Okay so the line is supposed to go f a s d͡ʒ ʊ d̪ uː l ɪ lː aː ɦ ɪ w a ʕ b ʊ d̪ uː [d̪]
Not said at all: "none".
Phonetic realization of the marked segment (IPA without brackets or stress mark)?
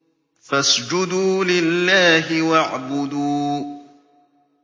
none